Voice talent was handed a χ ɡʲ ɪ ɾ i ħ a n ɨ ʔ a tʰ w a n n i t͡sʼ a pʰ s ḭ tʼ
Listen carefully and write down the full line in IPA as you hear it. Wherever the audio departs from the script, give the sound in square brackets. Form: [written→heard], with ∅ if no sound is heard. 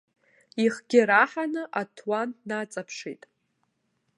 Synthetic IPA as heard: [a→i] χ ɡʲ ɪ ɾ [i→a] ħ a n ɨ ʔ a tʰ w a n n [i→a] t͡sʼ a pʰ [s→ʂ] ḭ tʼ